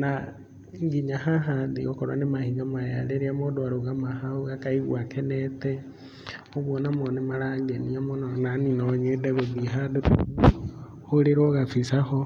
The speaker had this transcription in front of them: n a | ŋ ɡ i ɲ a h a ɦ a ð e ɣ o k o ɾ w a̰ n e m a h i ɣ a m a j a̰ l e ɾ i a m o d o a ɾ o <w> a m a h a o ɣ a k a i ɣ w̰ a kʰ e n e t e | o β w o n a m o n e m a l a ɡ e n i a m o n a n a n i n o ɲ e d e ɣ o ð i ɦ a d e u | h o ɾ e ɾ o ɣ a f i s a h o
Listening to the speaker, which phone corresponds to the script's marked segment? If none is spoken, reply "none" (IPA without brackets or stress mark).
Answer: ɣ